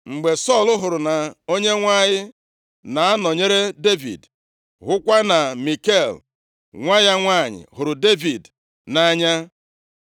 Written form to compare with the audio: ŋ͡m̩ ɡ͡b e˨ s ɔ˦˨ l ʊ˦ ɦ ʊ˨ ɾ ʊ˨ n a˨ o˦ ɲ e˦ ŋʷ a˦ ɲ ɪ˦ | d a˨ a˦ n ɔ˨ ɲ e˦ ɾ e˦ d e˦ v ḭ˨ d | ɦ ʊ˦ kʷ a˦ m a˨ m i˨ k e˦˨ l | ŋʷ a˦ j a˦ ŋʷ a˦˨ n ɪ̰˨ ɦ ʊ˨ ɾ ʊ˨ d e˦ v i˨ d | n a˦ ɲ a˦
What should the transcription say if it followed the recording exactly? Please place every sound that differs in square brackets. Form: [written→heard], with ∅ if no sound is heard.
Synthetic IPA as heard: ŋ͡m̩ ɡ͡b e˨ s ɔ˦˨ l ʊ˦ ɦ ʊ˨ ɾ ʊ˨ n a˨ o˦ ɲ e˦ ŋʷ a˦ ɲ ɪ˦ | [d→n] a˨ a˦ n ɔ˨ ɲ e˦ ɾ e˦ d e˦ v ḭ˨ d | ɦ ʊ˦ kʷ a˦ [m→n] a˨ m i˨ k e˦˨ l | ŋʷ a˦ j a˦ ŋʷ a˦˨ [n→ɲ] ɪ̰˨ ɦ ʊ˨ ɾ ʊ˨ d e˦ v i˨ d | n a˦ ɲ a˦